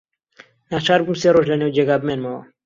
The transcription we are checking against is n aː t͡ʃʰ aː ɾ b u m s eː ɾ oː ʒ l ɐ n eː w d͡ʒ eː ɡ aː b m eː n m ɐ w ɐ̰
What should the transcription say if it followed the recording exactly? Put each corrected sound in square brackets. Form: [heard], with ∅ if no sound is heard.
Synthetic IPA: n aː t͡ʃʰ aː ɾ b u m s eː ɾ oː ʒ l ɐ n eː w d͡ʒ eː ɡ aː b m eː n m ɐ w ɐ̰